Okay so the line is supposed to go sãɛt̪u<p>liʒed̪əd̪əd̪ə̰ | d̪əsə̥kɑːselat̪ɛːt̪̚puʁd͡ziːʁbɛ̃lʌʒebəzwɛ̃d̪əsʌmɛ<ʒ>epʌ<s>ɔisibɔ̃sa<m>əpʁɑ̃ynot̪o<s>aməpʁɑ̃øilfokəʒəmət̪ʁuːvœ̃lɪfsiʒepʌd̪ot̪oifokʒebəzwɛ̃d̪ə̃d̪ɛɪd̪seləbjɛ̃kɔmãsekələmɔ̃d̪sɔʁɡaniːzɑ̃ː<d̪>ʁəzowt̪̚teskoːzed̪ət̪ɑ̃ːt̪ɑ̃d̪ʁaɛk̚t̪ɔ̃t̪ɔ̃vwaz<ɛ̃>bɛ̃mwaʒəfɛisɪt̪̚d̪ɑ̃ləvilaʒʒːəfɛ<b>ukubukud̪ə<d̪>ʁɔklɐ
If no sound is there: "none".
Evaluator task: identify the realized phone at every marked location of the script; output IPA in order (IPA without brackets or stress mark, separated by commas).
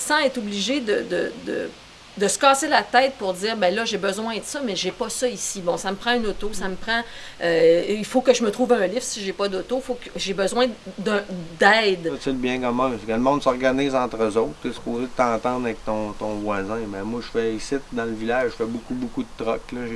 b, ʒ, s, m, s, t̪, ɛ̃, b, t̪